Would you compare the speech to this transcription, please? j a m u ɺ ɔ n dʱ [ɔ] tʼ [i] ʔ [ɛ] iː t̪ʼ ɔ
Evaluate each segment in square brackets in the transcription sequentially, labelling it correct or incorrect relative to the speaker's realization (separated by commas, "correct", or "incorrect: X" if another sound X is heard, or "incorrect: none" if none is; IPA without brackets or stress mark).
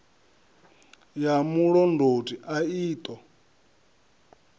incorrect: o, correct, incorrect: a